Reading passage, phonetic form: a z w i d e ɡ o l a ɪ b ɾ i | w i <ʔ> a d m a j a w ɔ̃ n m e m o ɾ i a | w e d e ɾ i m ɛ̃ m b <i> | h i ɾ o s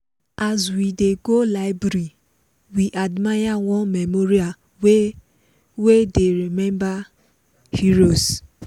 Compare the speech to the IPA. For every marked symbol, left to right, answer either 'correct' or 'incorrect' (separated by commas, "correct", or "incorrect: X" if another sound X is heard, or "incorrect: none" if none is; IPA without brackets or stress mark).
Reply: correct, incorrect: a